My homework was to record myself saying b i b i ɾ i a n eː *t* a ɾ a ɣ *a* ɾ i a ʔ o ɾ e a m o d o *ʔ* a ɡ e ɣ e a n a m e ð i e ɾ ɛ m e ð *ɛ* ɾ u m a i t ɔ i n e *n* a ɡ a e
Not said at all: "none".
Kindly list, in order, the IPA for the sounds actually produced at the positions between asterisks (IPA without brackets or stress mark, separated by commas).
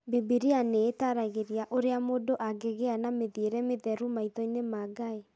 t, e, ʔ, ɛ, m